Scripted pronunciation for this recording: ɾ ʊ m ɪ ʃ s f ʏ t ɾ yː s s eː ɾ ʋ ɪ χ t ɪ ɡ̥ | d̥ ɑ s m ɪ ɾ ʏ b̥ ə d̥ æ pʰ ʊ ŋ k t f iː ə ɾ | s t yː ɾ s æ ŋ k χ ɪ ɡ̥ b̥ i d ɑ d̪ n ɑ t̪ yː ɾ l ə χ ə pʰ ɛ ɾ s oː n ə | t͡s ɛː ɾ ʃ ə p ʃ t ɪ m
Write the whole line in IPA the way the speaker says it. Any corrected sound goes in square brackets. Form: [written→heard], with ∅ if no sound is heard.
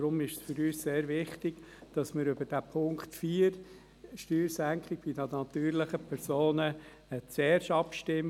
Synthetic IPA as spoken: ɾ ʊ m ɪ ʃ s f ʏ [t→∅] ɾ yː s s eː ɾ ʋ ɪ χ t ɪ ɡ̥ | d̥ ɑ s m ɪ ɾ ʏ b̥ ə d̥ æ pʰ ʊ ŋ k t f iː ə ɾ | [s→ʃ] t yː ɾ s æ ŋ k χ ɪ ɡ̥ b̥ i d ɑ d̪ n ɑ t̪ yː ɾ l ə χ ə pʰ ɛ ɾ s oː n ə | t͡s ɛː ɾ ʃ [ə→ɑ] p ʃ t ɪ m